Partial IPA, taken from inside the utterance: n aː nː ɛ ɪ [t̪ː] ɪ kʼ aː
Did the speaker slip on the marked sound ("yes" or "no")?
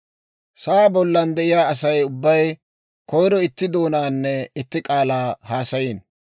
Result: no